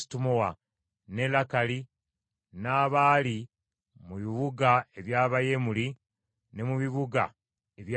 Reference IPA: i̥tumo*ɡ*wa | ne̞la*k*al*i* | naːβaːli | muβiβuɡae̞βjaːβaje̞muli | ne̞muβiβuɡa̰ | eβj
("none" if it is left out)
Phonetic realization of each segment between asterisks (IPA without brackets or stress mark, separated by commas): none, k, i